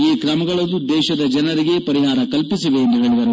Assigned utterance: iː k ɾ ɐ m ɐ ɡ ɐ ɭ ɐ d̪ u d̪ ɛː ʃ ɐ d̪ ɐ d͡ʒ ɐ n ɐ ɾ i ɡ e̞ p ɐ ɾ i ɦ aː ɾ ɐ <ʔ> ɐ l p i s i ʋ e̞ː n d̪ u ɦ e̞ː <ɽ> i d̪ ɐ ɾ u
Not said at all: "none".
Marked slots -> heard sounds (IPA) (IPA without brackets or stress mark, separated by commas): k, ɭ